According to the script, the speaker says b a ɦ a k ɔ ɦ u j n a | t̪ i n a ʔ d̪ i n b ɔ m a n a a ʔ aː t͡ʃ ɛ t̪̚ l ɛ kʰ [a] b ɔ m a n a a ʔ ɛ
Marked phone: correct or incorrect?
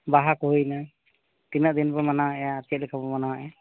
correct